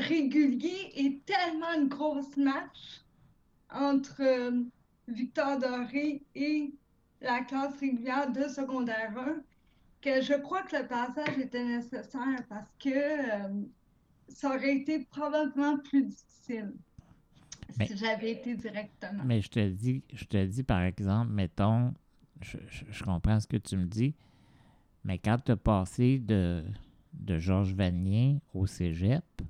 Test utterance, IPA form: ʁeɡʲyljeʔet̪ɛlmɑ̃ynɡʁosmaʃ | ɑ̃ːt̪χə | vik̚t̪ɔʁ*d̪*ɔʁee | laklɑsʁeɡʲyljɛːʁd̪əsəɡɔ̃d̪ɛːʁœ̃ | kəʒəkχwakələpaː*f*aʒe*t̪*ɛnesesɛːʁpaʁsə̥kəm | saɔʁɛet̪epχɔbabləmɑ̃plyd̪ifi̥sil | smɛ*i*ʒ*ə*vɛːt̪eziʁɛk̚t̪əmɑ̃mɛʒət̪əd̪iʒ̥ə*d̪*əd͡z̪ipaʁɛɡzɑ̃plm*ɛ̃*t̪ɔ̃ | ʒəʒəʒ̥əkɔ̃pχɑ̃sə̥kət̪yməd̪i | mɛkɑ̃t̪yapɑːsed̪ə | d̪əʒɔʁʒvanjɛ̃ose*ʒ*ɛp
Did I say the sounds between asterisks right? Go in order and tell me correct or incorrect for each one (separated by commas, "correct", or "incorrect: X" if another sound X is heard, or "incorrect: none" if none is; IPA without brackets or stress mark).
correct, incorrect: s, correct, correct, incorrect: a, incorrect: t̪, incorrect: ɛ, correct